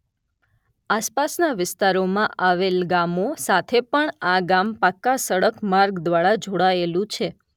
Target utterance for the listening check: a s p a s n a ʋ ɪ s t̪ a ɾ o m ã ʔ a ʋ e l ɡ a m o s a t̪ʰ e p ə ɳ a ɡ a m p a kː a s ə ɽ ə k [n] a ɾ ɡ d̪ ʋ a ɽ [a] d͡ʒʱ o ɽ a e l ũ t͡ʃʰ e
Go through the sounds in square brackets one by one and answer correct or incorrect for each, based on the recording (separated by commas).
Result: incorrect, correct